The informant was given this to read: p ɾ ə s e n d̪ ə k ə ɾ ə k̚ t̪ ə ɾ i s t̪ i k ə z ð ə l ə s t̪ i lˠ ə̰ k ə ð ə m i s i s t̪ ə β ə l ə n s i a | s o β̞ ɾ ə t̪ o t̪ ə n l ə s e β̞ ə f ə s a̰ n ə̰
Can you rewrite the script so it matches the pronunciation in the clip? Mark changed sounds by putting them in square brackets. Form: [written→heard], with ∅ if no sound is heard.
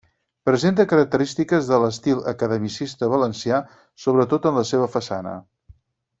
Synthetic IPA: p ɾ ə [s→z] e n [d̪→t̪] ə k ə ɾ ə k̚ t̪ ə ɾ i s t̪ i k ə z ð ə l ə s t̪ i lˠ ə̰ k ə ð ə m i s i s t̪ ə β ə l ə n s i a | s o β̞ ɾ ə t̪ o t̪ ə n l ə s e β̞ ə f ə s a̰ n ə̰